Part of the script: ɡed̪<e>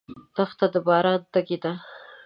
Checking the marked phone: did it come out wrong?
yes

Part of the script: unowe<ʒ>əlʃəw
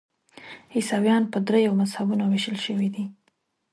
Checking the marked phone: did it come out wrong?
yes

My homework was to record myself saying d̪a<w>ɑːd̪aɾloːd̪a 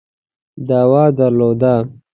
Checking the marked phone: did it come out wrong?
no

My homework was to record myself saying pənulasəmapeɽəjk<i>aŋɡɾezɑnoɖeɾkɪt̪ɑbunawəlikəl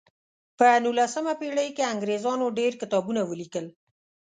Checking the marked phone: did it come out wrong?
yes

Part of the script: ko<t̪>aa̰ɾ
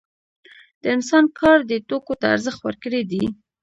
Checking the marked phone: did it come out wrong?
no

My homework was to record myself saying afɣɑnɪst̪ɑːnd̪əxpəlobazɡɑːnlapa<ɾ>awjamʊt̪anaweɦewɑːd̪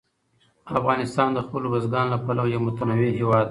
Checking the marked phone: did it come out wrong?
yes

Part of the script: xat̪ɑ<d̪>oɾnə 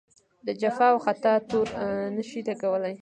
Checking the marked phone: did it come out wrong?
yes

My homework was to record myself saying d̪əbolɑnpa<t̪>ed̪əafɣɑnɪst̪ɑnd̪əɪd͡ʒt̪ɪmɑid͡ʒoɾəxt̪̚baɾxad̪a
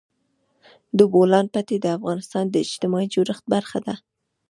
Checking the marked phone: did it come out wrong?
no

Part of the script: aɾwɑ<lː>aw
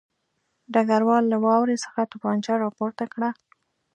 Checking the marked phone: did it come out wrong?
no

